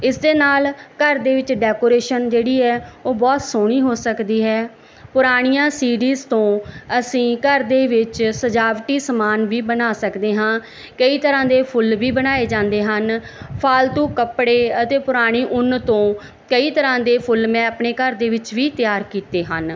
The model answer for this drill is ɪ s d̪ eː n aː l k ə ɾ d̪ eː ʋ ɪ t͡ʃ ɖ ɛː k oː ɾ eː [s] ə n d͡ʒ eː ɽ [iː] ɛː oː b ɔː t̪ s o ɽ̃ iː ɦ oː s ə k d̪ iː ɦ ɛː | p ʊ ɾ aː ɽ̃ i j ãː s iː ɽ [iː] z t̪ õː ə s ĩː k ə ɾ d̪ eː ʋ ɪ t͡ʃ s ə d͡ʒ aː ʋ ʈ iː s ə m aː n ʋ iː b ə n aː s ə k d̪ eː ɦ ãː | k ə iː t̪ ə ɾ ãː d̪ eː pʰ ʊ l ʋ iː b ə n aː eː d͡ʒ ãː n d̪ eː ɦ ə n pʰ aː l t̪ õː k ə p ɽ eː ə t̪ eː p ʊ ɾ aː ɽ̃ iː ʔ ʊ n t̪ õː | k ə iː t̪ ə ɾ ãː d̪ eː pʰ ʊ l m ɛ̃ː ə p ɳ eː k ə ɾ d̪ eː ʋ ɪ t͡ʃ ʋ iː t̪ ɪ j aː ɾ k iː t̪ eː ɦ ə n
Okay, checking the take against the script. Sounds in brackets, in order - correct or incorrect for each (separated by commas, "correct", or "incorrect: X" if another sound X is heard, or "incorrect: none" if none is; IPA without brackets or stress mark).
incorrect: ʃ, correct, correct